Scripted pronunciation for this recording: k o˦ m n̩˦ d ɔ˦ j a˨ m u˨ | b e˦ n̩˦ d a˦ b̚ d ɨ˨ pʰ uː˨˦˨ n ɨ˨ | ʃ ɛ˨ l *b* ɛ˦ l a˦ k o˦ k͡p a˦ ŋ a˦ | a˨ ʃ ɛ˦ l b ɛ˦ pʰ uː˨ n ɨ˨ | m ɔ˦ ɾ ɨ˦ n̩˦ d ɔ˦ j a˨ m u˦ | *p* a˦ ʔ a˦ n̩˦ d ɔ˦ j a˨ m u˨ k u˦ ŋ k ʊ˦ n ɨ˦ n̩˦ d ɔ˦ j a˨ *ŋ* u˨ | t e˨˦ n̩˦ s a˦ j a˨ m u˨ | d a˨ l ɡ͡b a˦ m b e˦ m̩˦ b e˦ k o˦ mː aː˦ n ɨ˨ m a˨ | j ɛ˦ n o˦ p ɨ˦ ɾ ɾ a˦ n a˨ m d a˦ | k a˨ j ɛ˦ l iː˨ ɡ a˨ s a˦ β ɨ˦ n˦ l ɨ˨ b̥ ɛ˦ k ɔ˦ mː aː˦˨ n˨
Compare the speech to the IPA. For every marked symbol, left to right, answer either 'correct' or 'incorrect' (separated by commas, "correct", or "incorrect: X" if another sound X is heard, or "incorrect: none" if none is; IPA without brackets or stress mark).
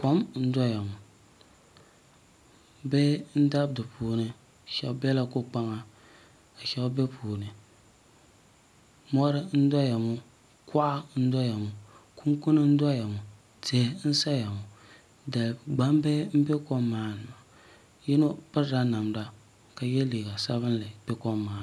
correct, incorrect: k, incorrect: m